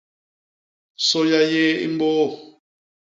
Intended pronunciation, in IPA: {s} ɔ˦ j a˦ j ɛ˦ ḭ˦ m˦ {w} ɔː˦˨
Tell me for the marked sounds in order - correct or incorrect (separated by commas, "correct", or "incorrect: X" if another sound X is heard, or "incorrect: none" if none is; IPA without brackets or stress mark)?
correct, incorrect: b